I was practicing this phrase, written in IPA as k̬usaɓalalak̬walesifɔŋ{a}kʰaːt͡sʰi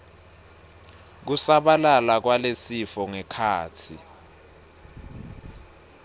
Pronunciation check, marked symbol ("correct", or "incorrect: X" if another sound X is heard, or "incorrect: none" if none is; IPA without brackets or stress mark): incorrect: ɛ